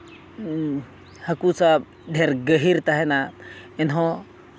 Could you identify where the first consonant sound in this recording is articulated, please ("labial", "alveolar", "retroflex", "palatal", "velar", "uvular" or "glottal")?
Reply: glottal